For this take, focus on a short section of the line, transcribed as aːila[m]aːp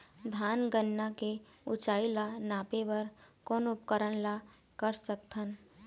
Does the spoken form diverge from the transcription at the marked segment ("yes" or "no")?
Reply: yes